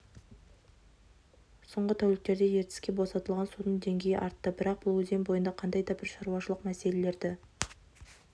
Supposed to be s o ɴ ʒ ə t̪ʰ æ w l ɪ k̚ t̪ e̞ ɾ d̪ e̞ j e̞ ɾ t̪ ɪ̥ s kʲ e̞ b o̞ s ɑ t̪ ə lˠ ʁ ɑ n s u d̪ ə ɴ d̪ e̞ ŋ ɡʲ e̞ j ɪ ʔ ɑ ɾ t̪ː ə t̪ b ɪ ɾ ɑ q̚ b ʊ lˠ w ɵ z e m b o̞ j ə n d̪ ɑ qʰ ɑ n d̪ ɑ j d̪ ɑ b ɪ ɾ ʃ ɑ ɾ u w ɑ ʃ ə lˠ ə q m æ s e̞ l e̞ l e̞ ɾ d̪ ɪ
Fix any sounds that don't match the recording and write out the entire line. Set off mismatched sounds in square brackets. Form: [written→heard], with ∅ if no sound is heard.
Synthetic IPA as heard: s o ɴ [ʒ→ʁ] ə t̪ʰ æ w l ɪ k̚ t̪ e̞ ɾ d̪ e̞ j e̞ ɾ t̪ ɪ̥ s kʲ e̞ b o̞ s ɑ t̪ ə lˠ ʁ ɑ n s u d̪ ə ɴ d̪ e̞ ŋ ɡʲ e̞ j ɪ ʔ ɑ ɾ t̪ː ə [t̪→∅] b ɪ ɾ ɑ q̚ b ʊ lˠ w ɵ z e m b o̞ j ə n d̪ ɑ qʰ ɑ n d̪ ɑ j d̪ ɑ b ɪ ɾ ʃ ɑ ɾ u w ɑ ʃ ə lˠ ə q m æ s e̞ l e̞ l e̞ ɾ d̪ ɪ